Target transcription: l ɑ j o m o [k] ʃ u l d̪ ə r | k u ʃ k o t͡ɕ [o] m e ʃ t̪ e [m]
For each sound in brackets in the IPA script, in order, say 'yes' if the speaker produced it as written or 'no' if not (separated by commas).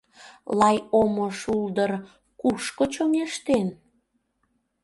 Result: no, yes, no